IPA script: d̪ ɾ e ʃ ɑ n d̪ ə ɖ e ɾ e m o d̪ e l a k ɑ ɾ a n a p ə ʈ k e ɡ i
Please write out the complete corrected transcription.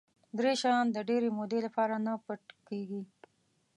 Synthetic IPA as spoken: d̪ ɾ e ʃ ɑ n d̪ ə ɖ e ɾ e m o d̪ e l a p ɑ ɾ a n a p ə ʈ k e ɡ i